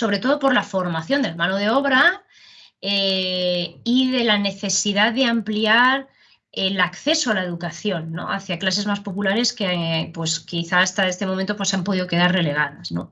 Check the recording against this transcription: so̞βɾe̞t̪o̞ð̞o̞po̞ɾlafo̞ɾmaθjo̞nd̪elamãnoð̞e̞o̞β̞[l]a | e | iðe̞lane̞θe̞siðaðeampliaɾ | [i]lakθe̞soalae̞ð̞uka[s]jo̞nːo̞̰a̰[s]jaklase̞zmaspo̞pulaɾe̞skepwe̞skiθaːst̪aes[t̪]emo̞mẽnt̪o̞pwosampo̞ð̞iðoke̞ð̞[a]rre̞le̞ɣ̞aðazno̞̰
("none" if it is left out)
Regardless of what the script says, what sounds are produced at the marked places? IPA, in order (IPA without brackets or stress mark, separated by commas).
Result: ɾ, e, θ, θ, t̪, a